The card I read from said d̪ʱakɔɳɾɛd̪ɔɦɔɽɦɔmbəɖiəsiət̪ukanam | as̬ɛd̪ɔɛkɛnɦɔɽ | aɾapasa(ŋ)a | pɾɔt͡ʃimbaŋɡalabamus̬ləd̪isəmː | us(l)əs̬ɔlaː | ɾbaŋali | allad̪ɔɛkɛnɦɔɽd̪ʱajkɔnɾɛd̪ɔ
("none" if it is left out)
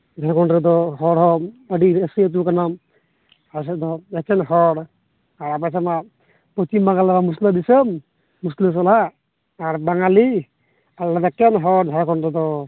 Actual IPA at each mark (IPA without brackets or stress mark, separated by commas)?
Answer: m, l